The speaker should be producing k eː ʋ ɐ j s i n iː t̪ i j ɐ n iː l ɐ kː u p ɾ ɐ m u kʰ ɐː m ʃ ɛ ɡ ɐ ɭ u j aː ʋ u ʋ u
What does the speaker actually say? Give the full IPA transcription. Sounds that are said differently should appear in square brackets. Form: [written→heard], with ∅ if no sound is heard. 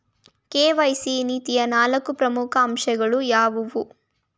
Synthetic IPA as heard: k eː ʋ ɐ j s i n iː t̪ i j ɐ n [iː→aː] l ɐ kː u p ɾ ɐ m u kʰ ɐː m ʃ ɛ ɡ ɐ ɭ u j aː ʋ u ʋ u